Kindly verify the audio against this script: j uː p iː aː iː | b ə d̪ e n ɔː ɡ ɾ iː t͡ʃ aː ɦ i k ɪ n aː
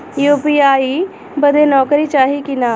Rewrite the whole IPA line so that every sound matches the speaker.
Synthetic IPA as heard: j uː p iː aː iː | b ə d̪ e n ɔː k ɾ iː t͡ʃ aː ɦ i k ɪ n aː